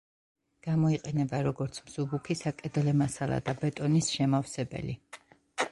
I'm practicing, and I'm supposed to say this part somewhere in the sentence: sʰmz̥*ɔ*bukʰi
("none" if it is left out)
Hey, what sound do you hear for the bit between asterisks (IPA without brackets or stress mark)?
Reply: u